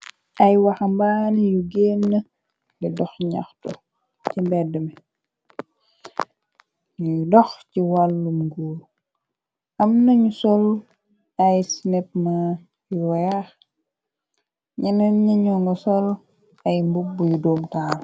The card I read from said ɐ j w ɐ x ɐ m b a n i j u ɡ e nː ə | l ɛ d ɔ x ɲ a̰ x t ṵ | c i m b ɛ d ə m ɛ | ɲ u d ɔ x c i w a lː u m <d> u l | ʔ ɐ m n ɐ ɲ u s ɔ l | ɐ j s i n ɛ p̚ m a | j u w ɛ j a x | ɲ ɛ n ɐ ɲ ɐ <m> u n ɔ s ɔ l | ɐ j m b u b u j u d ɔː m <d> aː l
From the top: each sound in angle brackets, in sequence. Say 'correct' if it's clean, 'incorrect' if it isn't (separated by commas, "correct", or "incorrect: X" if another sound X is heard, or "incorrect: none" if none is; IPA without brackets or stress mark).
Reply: incorrect: ɡ, incorrect: ɲ, incorrect: t